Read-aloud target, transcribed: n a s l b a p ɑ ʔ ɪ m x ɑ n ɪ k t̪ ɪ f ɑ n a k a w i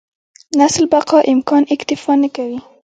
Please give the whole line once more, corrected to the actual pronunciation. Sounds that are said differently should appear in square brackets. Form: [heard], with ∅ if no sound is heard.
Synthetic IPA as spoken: n a s l b a [q] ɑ ʔ ɪ m [k] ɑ n ɪ k t̪ ɪ f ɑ n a k a w i